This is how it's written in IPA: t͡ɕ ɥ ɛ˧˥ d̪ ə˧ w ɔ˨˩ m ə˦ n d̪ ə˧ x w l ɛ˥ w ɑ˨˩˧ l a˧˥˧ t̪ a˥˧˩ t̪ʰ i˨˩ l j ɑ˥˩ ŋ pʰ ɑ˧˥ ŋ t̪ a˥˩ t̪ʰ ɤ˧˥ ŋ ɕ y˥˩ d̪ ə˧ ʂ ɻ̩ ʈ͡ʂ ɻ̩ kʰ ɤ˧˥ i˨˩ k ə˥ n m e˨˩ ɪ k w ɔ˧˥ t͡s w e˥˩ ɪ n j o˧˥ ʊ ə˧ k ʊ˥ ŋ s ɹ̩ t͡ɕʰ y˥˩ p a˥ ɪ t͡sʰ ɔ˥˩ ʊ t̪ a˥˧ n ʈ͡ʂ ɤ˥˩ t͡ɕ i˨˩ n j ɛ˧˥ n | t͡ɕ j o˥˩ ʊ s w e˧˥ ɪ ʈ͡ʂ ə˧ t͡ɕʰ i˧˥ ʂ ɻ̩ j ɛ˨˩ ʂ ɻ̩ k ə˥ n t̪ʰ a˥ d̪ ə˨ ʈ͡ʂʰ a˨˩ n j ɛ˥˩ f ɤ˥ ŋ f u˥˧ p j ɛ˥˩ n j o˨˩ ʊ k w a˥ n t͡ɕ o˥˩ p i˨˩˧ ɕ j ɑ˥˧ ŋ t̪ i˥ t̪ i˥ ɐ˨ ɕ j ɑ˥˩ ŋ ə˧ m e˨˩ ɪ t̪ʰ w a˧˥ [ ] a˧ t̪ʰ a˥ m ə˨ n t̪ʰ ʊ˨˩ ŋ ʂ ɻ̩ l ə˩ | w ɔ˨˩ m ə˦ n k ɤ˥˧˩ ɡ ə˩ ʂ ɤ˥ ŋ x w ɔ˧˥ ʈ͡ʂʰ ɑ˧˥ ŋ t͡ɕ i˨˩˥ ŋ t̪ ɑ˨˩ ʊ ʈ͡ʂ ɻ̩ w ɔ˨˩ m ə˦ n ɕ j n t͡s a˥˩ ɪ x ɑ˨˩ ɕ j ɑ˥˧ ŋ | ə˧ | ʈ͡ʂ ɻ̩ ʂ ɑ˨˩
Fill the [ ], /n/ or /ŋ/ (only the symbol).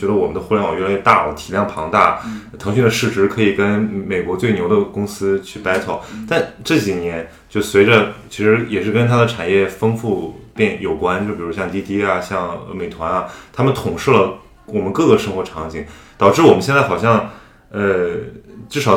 n